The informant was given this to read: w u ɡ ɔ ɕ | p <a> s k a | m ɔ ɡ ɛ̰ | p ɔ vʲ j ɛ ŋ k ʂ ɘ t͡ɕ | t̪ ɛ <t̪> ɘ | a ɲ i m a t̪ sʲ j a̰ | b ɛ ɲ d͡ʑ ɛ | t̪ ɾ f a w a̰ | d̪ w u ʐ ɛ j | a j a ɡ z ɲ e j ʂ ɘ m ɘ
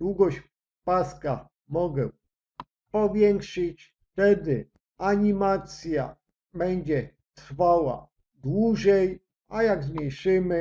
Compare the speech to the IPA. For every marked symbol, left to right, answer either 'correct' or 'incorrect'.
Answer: correct, incorrect: d̪

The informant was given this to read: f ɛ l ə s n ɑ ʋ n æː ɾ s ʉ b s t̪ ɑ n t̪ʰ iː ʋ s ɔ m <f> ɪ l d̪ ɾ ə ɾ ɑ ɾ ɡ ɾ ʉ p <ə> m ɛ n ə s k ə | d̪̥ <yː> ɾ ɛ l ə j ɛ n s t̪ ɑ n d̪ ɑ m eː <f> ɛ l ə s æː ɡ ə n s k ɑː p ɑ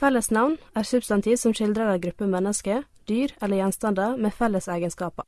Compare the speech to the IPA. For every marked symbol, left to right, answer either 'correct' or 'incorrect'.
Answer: incorrect: ʃ, correct, correct, correct

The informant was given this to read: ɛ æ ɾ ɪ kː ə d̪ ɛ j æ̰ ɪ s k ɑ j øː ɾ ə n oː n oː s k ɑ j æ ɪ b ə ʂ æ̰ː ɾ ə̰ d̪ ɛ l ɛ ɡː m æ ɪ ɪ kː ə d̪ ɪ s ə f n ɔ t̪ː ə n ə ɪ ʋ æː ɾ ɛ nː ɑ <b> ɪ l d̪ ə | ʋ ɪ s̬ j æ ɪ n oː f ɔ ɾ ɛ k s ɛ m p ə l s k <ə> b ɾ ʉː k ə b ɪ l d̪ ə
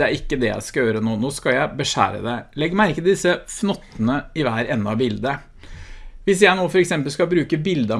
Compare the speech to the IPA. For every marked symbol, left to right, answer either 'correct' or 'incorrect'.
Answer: correct, incorrect: ɑ

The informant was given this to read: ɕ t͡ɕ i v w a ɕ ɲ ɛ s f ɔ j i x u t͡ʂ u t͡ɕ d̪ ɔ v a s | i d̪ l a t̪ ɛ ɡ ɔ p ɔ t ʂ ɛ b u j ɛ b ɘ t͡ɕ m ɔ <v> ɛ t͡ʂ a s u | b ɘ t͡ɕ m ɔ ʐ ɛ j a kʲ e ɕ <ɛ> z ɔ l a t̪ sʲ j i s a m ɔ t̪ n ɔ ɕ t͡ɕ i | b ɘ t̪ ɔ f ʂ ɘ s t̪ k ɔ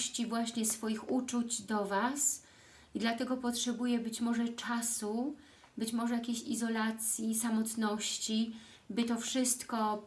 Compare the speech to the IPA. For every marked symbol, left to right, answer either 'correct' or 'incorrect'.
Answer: incorrect: ʐ, incorrect: i

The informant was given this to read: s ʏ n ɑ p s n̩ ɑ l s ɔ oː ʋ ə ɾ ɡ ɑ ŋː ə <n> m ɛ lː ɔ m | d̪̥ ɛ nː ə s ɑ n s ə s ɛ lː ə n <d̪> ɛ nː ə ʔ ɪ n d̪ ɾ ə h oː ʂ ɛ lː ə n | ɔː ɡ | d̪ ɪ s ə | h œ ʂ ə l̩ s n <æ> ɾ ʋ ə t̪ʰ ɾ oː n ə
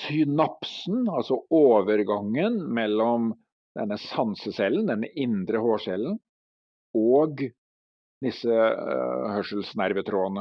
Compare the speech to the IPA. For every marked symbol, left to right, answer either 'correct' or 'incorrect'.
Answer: correct, correct, correct

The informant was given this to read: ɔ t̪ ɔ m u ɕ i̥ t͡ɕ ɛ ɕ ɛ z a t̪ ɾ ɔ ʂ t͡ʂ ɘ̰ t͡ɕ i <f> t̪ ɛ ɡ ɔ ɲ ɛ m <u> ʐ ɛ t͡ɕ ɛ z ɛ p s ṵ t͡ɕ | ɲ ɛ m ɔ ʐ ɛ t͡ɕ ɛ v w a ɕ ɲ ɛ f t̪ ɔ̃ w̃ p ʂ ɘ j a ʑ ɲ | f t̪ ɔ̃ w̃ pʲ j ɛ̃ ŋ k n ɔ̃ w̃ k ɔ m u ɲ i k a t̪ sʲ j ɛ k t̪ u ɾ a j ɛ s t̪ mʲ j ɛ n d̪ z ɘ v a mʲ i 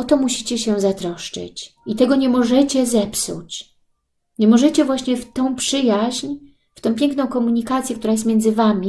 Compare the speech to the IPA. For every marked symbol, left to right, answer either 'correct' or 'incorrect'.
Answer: incorrect: none, incorrect: ɔ

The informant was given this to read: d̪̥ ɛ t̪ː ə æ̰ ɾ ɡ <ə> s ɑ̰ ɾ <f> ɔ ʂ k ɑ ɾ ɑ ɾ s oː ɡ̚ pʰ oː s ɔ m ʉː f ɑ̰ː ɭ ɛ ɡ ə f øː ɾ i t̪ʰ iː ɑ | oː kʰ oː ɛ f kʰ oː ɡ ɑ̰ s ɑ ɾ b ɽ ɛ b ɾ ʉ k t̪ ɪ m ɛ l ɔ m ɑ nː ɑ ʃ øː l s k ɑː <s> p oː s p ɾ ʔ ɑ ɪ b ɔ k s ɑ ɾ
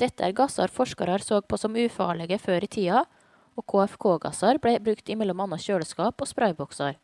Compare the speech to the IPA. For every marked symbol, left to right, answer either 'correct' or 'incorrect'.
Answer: incorrect: ɑ, correct, incorrect: none

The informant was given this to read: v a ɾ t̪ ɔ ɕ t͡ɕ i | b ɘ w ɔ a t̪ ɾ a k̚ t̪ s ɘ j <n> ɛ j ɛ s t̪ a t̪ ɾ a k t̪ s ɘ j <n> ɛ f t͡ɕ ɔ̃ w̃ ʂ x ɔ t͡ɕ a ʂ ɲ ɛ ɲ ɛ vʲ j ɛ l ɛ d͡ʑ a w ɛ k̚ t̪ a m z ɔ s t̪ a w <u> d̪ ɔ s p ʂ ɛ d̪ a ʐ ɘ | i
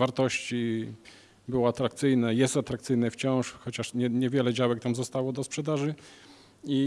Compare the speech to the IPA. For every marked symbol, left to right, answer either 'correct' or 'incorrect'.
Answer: correct, correct, incorrect: ɔ

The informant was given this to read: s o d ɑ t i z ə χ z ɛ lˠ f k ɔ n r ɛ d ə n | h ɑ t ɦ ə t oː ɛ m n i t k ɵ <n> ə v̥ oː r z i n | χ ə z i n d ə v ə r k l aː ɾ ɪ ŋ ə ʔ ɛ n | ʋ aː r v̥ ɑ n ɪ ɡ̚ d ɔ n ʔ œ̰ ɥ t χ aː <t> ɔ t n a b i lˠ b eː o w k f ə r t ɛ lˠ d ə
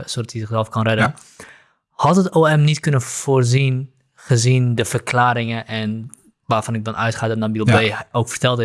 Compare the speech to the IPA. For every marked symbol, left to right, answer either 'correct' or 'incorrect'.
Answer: correct, incorrect: d

